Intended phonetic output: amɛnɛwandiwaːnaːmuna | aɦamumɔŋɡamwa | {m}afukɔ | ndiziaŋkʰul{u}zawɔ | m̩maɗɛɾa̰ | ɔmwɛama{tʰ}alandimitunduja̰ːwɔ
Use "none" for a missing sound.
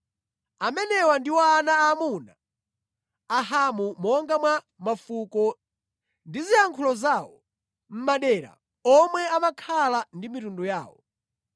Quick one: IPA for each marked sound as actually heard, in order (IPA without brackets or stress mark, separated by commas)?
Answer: m, ɔ, kʰ